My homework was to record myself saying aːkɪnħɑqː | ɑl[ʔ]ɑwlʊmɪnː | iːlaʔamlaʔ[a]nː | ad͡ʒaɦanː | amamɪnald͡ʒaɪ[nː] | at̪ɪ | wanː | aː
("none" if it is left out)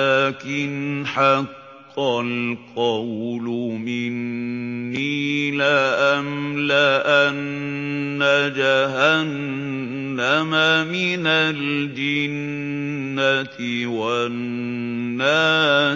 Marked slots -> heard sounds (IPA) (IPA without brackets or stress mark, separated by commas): q, a, nː